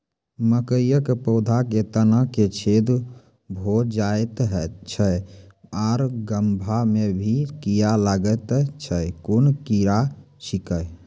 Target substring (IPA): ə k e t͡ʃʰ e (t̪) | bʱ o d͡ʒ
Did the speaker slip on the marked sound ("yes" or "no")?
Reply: yes